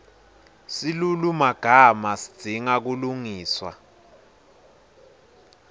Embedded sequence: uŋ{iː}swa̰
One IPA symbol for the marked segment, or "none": iː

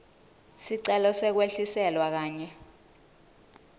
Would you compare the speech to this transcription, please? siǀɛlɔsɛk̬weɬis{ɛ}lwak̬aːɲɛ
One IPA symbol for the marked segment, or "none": ɛ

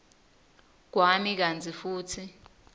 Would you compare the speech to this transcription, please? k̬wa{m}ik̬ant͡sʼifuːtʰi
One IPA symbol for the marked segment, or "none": m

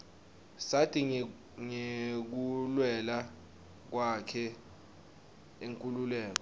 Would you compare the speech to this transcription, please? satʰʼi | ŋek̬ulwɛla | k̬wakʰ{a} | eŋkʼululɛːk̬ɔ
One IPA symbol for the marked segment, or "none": ɛ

